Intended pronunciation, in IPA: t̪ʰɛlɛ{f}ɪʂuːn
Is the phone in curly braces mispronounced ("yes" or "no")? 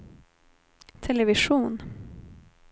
yes